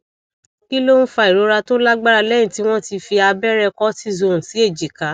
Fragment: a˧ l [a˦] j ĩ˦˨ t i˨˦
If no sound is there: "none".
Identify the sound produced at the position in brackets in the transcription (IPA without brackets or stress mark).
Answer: ɛ˦